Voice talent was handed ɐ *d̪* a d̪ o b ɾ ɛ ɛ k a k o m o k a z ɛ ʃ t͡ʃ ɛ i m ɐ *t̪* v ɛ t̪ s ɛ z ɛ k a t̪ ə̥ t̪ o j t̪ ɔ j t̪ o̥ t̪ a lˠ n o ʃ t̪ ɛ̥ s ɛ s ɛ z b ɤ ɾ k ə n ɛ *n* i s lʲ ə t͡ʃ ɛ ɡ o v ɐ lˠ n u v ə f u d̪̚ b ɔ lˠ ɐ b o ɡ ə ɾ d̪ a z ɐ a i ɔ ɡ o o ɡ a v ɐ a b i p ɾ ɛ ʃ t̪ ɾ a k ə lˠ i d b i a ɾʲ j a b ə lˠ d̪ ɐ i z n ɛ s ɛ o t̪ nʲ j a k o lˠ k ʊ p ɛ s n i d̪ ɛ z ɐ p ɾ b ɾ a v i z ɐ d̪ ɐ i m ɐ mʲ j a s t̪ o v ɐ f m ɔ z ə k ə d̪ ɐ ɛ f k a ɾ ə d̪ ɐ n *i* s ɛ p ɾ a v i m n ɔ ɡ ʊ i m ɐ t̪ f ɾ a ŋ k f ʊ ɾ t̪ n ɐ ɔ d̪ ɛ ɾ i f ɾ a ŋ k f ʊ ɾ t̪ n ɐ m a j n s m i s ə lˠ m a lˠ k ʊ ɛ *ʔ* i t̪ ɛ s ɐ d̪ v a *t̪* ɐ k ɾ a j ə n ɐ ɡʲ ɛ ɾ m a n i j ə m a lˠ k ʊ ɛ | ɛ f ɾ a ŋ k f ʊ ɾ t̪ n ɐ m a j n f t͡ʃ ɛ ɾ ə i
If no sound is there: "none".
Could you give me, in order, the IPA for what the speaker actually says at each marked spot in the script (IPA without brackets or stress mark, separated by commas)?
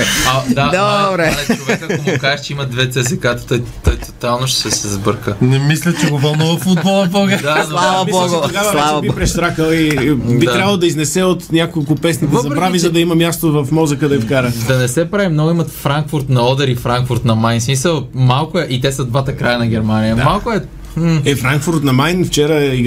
d̪, d̪, m, ɛ, ʔ, t̪